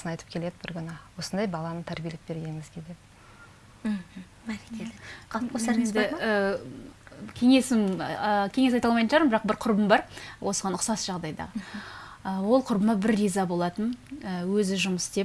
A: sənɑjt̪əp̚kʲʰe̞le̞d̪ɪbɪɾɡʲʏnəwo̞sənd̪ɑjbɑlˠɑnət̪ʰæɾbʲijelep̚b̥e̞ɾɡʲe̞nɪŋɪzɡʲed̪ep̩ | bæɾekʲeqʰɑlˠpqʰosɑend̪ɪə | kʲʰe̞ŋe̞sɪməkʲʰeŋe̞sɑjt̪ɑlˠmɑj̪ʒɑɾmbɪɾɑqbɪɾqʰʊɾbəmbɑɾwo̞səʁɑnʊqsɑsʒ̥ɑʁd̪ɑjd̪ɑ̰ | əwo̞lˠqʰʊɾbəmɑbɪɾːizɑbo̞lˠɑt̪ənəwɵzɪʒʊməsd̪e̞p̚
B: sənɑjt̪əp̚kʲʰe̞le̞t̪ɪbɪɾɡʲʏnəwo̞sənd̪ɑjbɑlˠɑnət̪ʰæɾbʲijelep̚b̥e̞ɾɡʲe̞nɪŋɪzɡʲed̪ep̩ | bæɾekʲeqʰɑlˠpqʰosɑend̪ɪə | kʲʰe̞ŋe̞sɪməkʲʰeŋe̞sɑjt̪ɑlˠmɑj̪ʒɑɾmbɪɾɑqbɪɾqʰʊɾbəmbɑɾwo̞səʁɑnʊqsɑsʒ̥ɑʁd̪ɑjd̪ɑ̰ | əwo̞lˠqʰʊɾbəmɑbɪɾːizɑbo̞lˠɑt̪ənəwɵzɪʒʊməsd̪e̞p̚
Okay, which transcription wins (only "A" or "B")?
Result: A